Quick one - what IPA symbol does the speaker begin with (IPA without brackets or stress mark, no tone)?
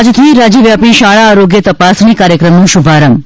d͡ʒ